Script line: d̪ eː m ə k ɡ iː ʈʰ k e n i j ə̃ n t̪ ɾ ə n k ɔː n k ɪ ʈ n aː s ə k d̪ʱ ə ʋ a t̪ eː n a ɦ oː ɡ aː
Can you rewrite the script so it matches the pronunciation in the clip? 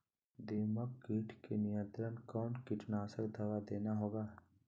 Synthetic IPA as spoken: d̪ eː m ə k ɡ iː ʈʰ k e n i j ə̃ n t̪ ɾ ə n k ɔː n k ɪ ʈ n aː s ə k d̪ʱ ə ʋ a d̪ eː n a ɦ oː ɡ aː